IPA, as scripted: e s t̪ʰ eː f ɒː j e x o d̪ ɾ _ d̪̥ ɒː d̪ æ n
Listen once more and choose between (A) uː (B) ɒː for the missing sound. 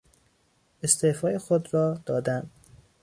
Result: B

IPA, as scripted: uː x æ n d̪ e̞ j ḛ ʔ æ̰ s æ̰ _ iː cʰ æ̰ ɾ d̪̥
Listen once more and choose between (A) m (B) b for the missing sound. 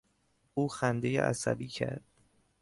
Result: B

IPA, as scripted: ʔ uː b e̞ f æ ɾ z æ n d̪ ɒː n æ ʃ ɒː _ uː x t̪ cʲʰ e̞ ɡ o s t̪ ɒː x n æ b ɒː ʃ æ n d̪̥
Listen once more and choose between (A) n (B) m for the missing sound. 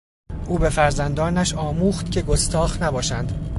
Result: B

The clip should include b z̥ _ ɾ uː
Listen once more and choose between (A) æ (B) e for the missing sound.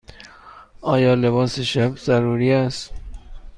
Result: A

